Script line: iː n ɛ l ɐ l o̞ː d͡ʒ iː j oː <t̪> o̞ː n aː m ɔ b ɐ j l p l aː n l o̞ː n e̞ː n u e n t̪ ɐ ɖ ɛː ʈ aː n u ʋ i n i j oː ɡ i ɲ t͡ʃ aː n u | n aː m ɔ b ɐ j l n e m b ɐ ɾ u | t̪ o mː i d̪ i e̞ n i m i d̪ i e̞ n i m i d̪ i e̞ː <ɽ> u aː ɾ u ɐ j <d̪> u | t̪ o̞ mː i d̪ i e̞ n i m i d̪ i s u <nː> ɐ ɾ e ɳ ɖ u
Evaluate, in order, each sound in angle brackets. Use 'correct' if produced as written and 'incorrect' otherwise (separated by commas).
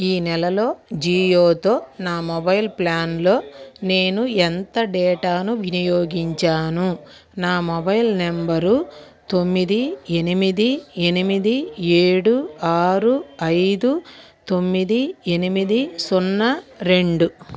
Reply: correct, correct, correct, correct